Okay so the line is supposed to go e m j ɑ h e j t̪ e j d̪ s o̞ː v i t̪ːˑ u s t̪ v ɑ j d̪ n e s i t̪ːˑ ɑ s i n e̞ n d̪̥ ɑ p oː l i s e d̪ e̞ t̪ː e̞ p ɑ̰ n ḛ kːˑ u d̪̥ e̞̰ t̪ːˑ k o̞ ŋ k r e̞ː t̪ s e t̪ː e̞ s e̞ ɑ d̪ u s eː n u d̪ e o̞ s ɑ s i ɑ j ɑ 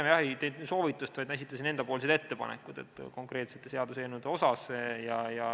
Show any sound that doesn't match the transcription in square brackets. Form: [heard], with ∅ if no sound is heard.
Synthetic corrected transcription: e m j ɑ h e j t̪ e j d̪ s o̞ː v i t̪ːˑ u s t̪ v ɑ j d̪ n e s i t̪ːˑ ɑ s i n e̞ n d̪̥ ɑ p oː l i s e d̪ e̞ t̪ː e̞ p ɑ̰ n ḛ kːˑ u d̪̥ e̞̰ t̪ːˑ k o̞ ŋ k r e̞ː t̪ s e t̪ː e̞ s e̞ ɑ d̪ u s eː n u d̪ e o̞ s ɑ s [j] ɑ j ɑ